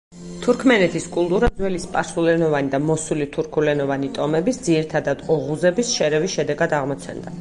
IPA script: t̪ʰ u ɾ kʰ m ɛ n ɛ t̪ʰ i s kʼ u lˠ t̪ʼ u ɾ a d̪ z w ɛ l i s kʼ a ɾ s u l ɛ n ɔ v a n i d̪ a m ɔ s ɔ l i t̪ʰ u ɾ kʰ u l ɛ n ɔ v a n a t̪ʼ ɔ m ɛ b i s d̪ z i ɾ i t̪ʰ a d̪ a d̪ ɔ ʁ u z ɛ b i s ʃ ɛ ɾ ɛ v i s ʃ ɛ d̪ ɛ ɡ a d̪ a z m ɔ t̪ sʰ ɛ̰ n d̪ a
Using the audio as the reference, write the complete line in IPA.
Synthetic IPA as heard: t̪ʰ u ɾ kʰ m ɛ n ɛ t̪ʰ i s kʼ u lˠ t̪ʼ u ɾ a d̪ z w ɛ l i s pʼ a ɾ s u l ɛ n ɔ v a n i d̪ a m ɔ s u l i t̪ʰ u ɾ kʰ u l ɛ n ɔ v a n i t̪ʼ ɔ m ɛ b i s d̪ z i ɾ i t̪ʰ a d̪ a d̪ ɔ ʁ u z ɛ b i s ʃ ɛ ɾ ɛ v i s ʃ ɛ d̪ ɛ ɡ a d̪ a ʁ m ɔ t̪ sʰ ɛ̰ n d̪ a

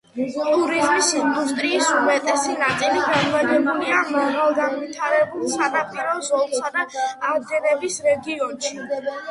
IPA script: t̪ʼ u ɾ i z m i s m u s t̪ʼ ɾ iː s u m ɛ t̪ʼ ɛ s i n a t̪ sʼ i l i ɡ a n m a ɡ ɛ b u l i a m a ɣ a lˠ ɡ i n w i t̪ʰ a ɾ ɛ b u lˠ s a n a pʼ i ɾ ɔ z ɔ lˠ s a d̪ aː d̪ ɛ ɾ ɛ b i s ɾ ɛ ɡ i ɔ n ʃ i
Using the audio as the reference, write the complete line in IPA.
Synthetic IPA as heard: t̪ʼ u ɾ i z m i s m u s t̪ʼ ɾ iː s u m ɛ t̪ʼ ɛ s i n a t̪ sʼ i l i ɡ a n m a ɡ ɛ b u l i a m a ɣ a lˠ ɡ a n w i t̪ʰ a ɾ ɛ b u lˠ s a n a pʼ i ɾ ɔ z ɔ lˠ s a d̪ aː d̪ ɛ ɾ ɛ b i s ɾ ɛ ɡ i ɔ n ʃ i

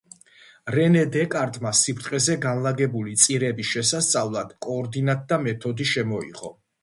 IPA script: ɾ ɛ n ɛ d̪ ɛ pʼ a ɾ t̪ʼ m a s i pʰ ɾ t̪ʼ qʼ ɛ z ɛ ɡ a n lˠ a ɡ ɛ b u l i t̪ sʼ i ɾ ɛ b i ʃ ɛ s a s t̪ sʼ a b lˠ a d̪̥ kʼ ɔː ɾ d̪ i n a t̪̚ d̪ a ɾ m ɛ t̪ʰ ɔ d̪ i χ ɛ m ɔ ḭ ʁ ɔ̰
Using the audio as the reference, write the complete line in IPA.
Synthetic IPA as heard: ɾ ɛ n ɛ d̪ ɛ kʼ a ɾ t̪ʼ m a s i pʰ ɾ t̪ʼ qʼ ɛ z ɛ ɡ a n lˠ a ɡ ɛ b u l i t̪ sʼ i ɾ ɛ b i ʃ ɛ s a s t̪ sʼ a v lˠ a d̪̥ kʼ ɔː ɾ d̪ i n a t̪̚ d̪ a m ɛ t̪ʰ ɔ d̪ i ʃ ɛ m ɔ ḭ ʁ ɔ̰

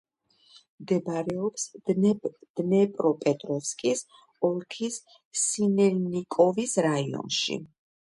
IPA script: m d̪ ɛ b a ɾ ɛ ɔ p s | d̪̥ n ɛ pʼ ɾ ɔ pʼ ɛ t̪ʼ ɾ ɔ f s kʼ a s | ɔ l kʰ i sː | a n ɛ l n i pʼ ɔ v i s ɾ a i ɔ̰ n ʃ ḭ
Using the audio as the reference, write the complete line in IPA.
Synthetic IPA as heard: m d̪ ɛ b a ɾ ɛ ɔ p s | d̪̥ n ɛ pʼ ɾ ɔ pʼ ɛ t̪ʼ ɾ ɔ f s kʼ i s | ɔ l kʰ i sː | i n ɛ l n i kʼ ɔ v i s ɾ a i ɔ̰ n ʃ ḭ

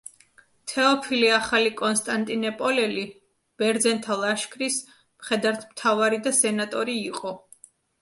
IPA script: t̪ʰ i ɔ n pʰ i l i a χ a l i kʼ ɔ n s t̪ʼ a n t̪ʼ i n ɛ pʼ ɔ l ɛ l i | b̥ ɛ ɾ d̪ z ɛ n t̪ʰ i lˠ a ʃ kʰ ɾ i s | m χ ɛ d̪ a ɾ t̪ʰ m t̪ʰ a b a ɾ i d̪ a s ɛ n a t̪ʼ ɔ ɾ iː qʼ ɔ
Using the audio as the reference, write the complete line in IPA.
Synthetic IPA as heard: t̪ʰ ɛ ɔ pʰ i l i a χ a l i kʼ ɔ n s t̪ʼ a n t̪ʼ i n ɛ pʼ ɔ l ɛ l i | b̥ ɛ ɾ d̪ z ɛ n t̪ʰ a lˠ a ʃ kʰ ɾ i s | m χ ɛ d̪ a ɾ t̪ʰ m t̪ʰ a v a ɾ i d̪ a s ɛ n a t̪ʼ ɔ ɾ iː qʼ ɔ

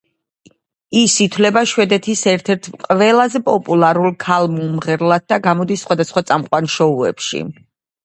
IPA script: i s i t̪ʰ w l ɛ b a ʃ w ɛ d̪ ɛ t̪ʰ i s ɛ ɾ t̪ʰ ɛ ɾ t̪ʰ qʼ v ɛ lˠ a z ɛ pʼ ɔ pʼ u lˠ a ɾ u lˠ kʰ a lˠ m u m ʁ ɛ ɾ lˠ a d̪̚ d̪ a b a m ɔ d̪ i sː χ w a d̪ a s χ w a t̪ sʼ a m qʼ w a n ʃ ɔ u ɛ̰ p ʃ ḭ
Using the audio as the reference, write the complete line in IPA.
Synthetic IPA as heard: i s i t̪ʰ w l ɛ b a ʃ w ɛ d̪ ɛ t̪ʰ i s ɛ ɾ t̪ʰ ɛ ɾ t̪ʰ qʼ v ɛ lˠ a z ɛ pʼ ɔ pʼ u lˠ a ɾ u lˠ kʰ a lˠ m u m ʁ ɛ ɾ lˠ a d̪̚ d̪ a ɡ a m ɔ d̪ i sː χ w a d̪ a s χ w a t̪ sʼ a m qʼ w a n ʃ ɔ u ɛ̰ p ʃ ḭ

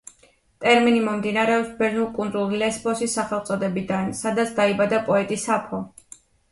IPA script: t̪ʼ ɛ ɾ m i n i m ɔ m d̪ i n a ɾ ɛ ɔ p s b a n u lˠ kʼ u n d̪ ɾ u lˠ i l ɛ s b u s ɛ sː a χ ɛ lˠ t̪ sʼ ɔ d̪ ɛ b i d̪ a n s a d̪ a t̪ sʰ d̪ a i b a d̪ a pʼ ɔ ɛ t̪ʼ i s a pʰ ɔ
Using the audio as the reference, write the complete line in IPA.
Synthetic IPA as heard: t̪ʼ ɛ ɾ m i n i m ɔ m d̪ i n a ɾ ɛ ɔ p s b ɛ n u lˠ kʼ u n d̪ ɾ u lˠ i l ɛ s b ɔ s i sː a χ ɛ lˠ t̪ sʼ ɔ d̪ ɛ b i d̪ a n s a d̪ a t̪ sʰ d̪ a i b a d̪ a pʼ ɔ ɛ t̪ʼ i s a pʰ ɔ

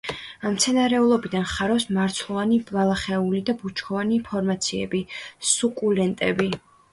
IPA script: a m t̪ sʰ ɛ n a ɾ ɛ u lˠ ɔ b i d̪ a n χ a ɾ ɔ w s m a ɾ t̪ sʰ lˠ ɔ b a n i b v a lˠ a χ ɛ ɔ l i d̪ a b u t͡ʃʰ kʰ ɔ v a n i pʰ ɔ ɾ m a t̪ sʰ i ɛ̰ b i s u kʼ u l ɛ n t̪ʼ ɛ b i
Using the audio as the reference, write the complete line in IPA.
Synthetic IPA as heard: a m t̪ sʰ ɛ n a ɾ ɛ u lˠ ɔ b i d̪ a n χ a ɾ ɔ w s m a ɾ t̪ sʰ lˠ ɔ v a n i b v a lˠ a χ ɛ u l i d̪ a b u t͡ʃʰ kʰ ɔ v a n i pʰ ɔ ɾ m a t̪ sʰ i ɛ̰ b i s u kʼ u l ɛ n t̪ʼ ɛ b i

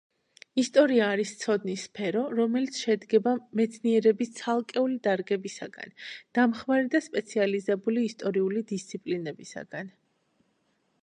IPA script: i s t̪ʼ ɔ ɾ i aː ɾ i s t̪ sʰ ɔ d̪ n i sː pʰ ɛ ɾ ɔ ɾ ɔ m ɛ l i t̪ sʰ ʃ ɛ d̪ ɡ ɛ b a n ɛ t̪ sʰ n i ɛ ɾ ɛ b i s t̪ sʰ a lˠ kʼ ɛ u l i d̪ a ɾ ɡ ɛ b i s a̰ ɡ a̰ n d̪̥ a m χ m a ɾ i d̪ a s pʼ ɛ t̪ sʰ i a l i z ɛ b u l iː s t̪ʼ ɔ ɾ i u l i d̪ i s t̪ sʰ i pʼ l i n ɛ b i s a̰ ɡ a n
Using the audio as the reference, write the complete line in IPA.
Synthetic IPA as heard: i s t̪ʼ ɔ ɾ i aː ɾ i s t̪ sʰ ɔ d̪ n i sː pʰ ɛ ɾ ɔ ɾ ɔ m ɛ l i t̪ sʰ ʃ ɛ d̪ ɡ ɛ b a m ɛ t̪ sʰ n i ɛ ɾ ɛ b i s t̪ sʰ a lˠ kʼ ɛ u l i d̪ a ɾ ɡ ɛ b i s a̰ ɡ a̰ n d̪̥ a m χ m a ɾ i d̪ a s pʼ ɛ t̪ sʰ i a l i z ɛ b u l iː s t̪ʼ ɔ ɾ i u l i d̪ i s t̪ sʰ i pʼ l i n ɛ b i s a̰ ɡ a n

